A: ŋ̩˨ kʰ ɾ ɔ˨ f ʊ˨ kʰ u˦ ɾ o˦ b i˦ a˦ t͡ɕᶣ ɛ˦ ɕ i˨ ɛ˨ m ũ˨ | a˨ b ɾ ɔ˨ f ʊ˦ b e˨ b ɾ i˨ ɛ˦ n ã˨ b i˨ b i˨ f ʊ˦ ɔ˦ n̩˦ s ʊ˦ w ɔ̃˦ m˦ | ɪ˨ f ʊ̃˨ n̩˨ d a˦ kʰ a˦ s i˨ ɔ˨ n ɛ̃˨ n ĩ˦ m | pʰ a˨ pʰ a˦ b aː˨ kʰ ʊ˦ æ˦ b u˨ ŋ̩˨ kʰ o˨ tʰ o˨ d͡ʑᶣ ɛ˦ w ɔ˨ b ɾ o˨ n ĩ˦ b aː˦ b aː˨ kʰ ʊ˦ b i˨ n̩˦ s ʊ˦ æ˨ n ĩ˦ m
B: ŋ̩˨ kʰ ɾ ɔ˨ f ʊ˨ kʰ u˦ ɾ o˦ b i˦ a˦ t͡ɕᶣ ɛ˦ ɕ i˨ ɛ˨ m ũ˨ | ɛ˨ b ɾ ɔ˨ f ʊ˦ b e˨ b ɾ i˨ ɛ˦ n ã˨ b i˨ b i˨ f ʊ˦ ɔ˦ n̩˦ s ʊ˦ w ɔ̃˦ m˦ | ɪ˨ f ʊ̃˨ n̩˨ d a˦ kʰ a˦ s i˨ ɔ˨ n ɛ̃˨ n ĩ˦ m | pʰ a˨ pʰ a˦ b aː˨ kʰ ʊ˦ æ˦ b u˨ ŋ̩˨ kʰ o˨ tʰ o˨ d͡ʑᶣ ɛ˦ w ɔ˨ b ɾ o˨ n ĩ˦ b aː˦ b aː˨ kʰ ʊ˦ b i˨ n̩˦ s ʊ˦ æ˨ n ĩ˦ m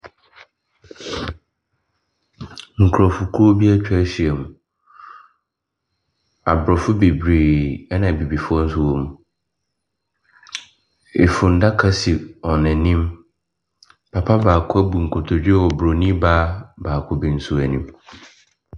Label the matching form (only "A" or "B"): A